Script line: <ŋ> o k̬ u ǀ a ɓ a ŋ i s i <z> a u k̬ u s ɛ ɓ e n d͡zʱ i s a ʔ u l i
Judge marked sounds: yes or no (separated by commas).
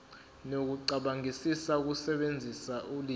no, no